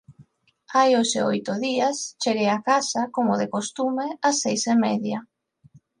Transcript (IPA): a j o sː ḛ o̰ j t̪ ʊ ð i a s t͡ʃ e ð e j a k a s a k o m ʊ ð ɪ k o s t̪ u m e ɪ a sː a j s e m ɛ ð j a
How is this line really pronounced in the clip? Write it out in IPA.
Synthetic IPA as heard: a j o s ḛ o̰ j t̪ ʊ ð i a s t͡ʃ e ɣ e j a k a s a k o m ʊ ð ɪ k o s t̪ u m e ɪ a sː e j s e m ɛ ð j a

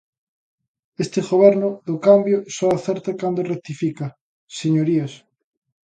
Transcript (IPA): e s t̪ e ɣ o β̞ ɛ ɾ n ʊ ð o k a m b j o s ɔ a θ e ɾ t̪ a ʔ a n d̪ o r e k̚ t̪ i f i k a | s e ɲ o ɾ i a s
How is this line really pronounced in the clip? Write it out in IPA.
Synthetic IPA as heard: e s t̪ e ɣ o β̞ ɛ ɾ n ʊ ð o k a m b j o s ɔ a θ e ɾ t̪ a k a n d̪ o r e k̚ t̪ i f i k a | s e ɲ o ɾ i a s

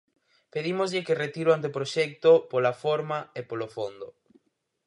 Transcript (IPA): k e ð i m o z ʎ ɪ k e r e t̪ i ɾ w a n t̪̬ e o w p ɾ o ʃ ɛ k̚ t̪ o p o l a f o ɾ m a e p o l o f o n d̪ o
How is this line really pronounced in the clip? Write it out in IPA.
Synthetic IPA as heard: p e ð i m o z ʎ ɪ k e r e t̪ i ɾ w a n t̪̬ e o p ɾ o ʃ ɛ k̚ t̪ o p o l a f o ɾ m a e p o l o f o n d̪ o

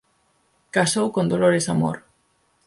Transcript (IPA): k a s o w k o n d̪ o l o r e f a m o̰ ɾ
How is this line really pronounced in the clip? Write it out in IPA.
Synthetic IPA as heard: k a s o w k o n d̪ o l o ɾ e s a m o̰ ɾ

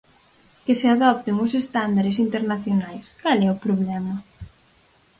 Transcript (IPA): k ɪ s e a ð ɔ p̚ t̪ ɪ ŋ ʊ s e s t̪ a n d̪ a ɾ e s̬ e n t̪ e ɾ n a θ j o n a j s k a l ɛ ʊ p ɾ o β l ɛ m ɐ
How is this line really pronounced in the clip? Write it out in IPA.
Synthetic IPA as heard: k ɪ s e a ð ɔ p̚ t̪ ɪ ŋ ʊ s e s t̪ a n d̪ a ɾ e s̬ i n t̪ e ɾ n a θ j o n a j s k a l ɛ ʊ p ɾ o β l ɛ m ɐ

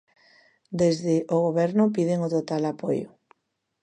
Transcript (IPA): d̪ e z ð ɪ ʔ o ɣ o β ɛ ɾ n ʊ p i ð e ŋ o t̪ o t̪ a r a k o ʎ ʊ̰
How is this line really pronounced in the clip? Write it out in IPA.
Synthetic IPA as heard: d̪ e z ð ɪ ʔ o ɣ o β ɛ ɾ n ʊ p i ð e ŋ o t̪ o t̪ a l a p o j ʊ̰

